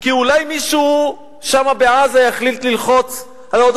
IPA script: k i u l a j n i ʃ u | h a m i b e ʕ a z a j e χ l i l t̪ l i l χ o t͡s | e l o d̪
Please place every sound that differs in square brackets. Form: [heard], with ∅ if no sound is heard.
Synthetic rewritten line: k i u l a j [m] i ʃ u | [ʃ] a m [a] b e ʕ a z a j [a] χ l i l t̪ l i l χ o t͡s | [a] l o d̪